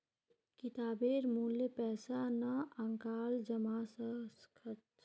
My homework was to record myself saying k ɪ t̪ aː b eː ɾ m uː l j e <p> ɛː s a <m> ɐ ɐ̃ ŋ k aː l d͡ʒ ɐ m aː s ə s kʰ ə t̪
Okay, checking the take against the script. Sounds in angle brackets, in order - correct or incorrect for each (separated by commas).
correct, incorrect